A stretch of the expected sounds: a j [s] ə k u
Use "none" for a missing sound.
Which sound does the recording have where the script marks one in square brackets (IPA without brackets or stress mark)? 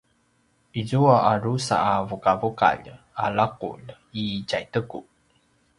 t